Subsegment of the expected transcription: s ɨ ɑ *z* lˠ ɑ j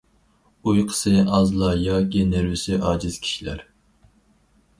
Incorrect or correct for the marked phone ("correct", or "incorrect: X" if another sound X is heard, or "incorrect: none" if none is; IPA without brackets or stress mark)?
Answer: correct